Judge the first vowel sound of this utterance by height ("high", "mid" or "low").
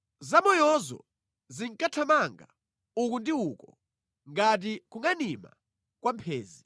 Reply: low